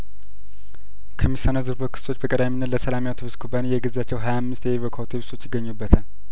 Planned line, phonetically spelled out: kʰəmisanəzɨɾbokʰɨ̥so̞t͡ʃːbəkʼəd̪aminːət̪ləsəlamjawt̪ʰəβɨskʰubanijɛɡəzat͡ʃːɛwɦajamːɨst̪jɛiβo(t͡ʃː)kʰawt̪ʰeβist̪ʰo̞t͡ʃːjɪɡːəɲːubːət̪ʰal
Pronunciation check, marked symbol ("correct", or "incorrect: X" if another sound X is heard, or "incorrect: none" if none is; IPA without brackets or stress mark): incorrect: none